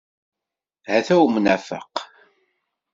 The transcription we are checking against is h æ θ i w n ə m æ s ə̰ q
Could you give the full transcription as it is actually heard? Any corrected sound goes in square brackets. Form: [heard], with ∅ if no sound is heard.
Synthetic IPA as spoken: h æ θ [æ] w [m] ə [n] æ [f] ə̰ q